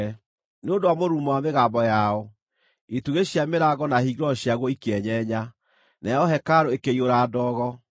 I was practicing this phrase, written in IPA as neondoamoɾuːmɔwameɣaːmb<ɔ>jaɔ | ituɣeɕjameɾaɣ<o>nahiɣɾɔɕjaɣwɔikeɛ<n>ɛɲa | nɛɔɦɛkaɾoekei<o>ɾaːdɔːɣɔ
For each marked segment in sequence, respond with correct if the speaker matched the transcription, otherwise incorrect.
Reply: correct, incorrect: ɔ, incorrect: ɲ, correct

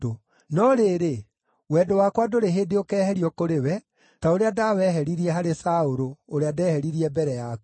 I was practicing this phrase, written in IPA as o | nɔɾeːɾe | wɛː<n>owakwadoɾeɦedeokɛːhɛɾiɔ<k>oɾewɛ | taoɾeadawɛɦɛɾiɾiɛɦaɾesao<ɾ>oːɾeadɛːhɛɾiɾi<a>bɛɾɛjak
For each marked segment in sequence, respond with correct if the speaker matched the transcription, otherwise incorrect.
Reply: incorrect: d, correct, correct, incorrect: ɛ

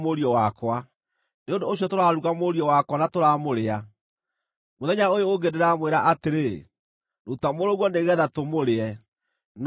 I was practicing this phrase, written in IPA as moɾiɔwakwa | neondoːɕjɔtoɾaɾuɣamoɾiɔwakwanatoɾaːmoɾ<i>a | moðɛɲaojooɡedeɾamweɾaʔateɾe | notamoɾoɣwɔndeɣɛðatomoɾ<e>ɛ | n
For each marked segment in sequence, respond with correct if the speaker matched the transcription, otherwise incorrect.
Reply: incorrect: e, correct

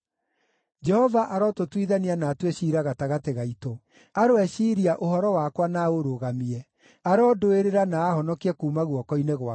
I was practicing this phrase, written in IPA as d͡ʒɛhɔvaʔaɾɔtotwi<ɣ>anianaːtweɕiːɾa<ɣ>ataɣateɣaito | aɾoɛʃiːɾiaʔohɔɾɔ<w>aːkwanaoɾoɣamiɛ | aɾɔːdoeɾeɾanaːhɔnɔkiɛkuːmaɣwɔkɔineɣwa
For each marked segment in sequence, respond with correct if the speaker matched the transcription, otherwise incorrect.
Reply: incorrect: ð, correct, correct

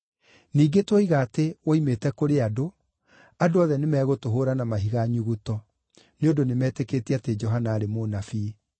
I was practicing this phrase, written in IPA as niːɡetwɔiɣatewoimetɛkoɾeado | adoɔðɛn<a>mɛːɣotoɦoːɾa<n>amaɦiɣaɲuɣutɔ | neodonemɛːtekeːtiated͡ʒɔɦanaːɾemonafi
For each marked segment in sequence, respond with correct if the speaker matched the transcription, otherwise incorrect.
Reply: incorrect: e, correct

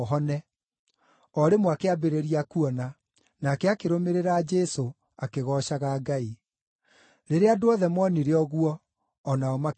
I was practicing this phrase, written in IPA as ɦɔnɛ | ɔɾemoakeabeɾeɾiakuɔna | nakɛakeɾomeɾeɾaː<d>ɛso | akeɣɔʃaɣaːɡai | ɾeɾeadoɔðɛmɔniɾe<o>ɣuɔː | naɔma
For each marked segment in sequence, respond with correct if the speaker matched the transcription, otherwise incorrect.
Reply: incorrect: d͡ʒ, incorrect: ɔ

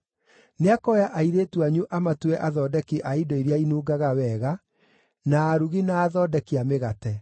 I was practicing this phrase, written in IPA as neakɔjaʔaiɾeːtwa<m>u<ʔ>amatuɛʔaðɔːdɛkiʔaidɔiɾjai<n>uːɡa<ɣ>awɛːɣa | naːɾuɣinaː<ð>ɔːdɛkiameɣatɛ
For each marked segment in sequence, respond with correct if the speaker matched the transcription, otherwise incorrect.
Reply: incorrect: ɲ, correct, correct, correct, correct

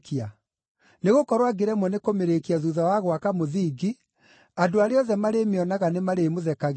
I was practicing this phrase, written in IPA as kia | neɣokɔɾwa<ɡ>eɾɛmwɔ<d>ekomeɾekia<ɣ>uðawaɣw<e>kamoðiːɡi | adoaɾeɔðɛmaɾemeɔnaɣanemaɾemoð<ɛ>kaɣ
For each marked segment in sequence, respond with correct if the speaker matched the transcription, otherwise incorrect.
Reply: correct, incorrect: n, incorrect: ð, incorrect: a, correct

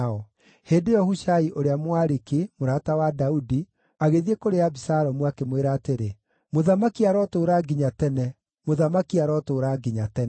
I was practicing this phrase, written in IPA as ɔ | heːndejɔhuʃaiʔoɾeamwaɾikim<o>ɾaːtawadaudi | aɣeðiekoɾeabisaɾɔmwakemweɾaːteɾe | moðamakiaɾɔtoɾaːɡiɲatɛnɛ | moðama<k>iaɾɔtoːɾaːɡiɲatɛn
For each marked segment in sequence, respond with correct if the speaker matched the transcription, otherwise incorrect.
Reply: correct, correct

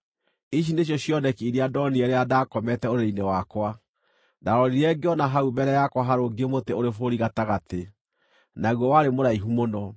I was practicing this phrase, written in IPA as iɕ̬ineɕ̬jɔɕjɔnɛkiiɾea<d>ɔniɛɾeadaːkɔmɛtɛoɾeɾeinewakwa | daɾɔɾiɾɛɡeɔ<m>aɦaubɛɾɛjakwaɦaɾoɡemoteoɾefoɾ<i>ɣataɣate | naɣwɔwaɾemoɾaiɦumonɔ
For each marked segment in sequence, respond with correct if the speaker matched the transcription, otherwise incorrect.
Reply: correct, incorrect: n, correct

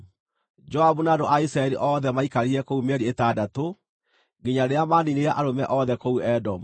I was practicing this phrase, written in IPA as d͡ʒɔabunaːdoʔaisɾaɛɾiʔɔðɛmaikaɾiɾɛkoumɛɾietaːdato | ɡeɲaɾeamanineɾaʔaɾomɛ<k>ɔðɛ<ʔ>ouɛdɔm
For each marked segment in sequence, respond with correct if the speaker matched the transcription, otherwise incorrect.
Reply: incorrect: ʔ, incorrect: k

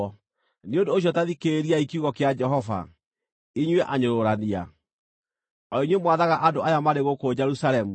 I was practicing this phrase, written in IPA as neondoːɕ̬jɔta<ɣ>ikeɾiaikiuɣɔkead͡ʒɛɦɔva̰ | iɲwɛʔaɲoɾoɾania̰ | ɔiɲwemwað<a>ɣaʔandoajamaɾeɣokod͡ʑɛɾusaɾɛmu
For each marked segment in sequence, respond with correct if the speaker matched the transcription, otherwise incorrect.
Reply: incorrect: ð, correct

